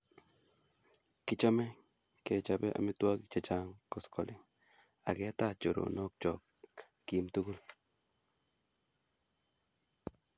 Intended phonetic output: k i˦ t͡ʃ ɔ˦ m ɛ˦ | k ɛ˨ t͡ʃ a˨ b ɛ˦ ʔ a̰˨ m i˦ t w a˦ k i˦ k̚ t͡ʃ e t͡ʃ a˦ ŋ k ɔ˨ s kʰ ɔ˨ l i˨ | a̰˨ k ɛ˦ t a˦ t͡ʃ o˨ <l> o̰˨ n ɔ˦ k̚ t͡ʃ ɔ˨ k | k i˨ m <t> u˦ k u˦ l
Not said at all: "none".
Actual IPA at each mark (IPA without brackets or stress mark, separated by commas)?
ɾ, t